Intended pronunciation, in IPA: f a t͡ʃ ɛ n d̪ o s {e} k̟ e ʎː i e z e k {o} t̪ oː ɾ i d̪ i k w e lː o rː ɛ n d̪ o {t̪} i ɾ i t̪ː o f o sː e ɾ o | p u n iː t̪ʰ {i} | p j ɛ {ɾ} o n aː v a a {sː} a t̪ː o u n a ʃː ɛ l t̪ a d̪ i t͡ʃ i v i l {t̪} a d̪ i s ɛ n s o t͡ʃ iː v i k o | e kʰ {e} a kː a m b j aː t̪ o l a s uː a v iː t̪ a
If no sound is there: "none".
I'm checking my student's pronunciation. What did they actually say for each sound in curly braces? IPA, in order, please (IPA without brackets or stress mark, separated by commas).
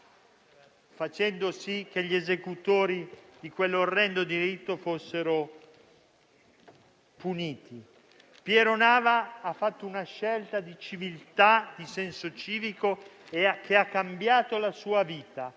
i, u, d̪, i, ɾ, fː, t̪, e